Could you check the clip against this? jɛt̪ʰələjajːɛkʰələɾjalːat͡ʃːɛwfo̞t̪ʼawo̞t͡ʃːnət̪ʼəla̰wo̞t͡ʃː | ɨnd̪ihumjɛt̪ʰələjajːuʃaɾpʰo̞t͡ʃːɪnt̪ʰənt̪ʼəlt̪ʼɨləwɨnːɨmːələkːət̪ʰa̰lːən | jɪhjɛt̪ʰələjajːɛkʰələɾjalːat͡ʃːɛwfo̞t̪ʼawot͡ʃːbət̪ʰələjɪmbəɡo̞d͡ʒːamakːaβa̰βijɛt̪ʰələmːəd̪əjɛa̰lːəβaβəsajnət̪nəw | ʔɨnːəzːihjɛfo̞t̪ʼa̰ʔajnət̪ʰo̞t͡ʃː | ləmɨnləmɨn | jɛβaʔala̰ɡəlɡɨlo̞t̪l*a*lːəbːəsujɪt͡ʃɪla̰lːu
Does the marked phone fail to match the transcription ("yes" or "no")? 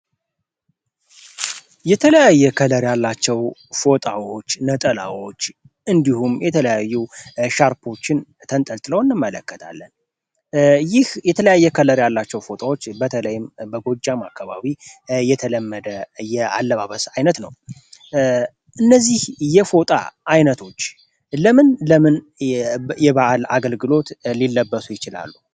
yes